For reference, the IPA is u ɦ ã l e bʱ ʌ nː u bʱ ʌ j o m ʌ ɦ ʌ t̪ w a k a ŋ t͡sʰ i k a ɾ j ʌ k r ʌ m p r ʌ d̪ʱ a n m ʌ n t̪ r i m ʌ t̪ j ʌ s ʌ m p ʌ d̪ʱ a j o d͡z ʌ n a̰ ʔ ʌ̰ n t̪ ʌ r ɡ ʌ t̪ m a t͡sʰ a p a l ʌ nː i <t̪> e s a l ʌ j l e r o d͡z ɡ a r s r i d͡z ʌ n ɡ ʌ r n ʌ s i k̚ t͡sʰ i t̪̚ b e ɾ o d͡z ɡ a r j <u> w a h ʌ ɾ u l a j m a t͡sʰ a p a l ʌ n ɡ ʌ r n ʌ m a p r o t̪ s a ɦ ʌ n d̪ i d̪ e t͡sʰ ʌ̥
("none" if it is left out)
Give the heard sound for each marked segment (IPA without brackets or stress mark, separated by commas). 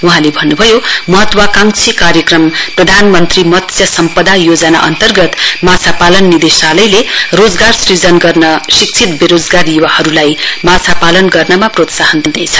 d̪, u